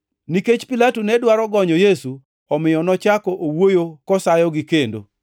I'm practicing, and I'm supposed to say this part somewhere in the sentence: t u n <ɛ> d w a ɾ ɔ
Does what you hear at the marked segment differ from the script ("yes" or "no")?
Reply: no